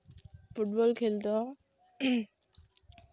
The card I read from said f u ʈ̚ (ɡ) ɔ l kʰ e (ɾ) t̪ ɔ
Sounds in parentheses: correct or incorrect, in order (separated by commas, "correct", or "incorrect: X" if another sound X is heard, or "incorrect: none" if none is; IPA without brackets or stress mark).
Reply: incorrect: b, incorrect: l